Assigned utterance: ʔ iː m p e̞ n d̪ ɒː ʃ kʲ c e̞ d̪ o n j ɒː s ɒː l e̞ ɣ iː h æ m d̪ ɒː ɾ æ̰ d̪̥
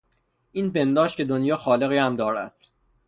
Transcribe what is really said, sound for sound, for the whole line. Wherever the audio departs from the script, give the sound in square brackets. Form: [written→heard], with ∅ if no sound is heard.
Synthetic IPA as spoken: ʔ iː [m→n] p e̞ n d̪ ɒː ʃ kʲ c e̞ d̪ o n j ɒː [s→x] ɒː l e̞ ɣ iː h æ m d̪ ɒː ɾ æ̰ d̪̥